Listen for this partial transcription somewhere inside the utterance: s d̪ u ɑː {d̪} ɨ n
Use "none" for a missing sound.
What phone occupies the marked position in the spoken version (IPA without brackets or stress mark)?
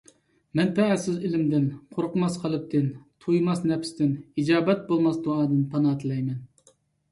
d̪